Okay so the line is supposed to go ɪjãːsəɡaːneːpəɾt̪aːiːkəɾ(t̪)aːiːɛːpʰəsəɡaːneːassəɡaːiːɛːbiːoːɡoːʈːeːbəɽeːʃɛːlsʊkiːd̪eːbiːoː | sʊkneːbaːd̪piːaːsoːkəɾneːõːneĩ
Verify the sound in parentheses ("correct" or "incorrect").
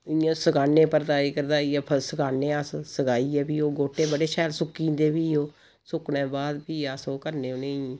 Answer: incorrect